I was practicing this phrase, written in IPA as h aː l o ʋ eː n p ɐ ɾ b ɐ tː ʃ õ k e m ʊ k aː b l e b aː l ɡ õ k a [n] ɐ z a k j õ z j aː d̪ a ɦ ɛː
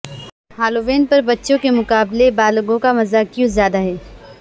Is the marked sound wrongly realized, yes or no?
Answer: yes